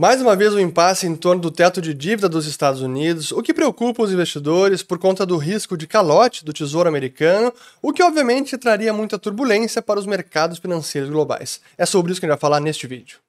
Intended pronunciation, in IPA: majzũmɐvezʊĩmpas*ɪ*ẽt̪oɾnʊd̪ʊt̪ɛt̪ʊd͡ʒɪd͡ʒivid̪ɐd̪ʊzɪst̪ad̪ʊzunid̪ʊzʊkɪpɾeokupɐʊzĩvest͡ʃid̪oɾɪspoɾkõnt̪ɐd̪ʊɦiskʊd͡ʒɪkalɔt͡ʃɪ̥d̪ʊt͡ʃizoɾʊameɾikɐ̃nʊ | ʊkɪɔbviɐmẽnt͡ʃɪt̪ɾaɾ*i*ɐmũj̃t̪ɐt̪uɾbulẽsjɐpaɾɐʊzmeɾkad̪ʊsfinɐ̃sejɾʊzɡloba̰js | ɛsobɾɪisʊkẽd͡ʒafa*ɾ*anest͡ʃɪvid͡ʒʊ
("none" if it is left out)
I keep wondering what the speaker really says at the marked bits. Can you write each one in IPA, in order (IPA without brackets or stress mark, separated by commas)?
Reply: ɪ, i, l